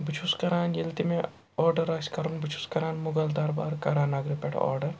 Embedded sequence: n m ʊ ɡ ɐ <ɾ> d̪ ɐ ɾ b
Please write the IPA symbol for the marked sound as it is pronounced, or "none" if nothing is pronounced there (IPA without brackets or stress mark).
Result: l